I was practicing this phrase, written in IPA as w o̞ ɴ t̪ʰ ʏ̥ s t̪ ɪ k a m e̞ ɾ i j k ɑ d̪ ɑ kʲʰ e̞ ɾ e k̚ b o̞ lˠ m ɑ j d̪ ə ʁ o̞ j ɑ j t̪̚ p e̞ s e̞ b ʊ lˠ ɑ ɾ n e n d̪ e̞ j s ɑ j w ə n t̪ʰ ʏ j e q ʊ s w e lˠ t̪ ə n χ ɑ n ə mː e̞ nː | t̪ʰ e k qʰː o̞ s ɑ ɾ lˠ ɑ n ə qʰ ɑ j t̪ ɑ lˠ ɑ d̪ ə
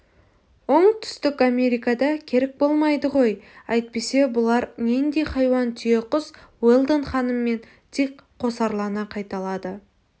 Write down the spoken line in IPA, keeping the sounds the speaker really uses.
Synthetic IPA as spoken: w o̞ ɴ t̪ʰ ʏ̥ s t̪ ɪ k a m e̞ ɾ i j k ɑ d̪ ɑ kʲʰ e̞ ɾ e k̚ b o̞ lˠ m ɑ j d̪ ə ʁ o̞ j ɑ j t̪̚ p e̞ s e̞ b ʊ lˠ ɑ ɾ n e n d̪ e̞ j χ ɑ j w ɑ n t̪ʰ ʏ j e q ʊ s w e lˠ d̪ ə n χ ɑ n ə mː e̞ n | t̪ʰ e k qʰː o̞ s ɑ ɾ lˠ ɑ n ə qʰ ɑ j t̪ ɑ lˠ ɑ d̪ ə